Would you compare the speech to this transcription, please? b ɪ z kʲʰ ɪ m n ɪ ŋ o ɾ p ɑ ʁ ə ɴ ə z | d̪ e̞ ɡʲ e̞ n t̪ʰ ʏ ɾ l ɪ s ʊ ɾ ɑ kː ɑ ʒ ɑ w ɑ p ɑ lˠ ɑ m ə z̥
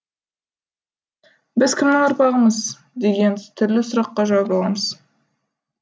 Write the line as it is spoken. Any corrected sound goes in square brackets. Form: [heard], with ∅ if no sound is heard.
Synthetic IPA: b ɪ z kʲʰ ɪ m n ɪ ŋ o ɾ p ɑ ʁ ə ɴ ə z | d̪ e̞ ɡʲ e̞ n t̪ʰ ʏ ɾ l ɪ s ʊ ɾ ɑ [qː] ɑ ʒ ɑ w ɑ p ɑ lˠ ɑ m ə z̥